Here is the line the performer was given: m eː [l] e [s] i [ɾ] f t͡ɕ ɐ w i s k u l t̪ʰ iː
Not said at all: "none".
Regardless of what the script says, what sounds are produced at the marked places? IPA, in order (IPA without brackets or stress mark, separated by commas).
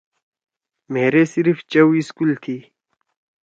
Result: ɾ, s, ɾ